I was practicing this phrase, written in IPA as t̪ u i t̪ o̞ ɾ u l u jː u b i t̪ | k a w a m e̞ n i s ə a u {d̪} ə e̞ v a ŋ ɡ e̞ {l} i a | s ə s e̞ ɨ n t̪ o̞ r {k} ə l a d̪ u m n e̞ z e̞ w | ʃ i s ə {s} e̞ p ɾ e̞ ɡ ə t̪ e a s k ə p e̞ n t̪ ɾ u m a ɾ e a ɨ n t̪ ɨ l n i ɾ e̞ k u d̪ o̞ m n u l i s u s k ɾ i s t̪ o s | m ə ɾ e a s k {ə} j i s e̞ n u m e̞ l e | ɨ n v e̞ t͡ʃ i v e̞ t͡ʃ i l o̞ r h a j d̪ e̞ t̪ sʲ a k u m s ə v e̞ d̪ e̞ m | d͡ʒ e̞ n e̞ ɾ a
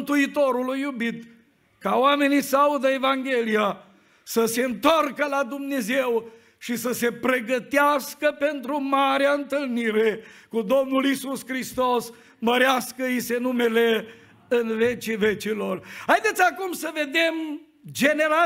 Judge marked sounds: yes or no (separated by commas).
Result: yes, yes, yes, yes, yes